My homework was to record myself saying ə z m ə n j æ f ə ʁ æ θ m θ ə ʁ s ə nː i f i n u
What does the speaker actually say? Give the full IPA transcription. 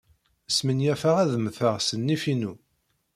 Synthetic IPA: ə s m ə n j æ f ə ʁ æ ð m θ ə ʁ s ə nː i f i n u